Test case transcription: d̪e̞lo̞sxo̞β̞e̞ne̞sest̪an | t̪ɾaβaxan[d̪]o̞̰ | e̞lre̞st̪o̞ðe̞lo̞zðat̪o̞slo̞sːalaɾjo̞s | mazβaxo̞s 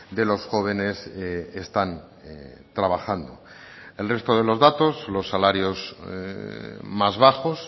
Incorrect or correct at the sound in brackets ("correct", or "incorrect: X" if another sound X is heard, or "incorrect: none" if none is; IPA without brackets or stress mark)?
correct